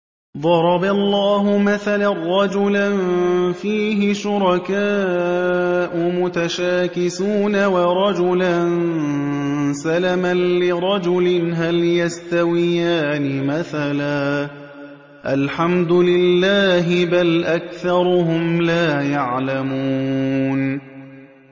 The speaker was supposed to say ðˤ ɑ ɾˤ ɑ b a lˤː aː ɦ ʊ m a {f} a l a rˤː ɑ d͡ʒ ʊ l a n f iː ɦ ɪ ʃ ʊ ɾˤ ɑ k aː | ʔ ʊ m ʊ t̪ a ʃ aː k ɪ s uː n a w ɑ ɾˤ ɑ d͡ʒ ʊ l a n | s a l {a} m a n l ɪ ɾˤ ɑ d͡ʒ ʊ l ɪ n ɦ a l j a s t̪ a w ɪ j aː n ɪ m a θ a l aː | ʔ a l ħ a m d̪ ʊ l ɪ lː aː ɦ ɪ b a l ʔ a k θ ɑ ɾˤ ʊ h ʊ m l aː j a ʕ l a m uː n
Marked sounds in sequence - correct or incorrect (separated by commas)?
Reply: incorrect, correct